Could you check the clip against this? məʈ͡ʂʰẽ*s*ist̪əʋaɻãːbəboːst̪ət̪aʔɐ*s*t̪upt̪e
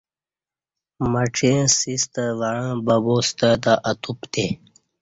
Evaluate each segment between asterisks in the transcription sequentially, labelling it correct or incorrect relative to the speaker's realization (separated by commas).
correct, incorrect